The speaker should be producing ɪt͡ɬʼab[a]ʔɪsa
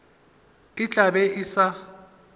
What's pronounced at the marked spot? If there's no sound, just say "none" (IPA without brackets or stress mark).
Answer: ɛ